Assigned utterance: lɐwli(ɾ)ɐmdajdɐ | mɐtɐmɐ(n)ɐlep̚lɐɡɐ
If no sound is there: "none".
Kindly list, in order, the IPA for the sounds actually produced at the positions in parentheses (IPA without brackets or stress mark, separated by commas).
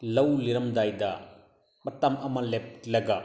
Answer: ɾ, m